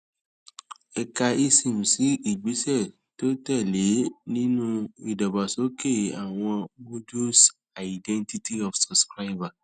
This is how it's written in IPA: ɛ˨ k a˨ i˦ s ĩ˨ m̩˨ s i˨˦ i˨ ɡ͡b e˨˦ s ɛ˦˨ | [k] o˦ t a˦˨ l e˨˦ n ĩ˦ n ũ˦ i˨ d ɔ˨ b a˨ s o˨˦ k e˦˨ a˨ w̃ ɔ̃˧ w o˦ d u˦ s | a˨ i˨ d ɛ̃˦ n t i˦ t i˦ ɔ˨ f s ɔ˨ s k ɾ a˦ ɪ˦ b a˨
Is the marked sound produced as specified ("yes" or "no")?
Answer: no